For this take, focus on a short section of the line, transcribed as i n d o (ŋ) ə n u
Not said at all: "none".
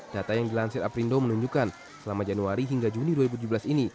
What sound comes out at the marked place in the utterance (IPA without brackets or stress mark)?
m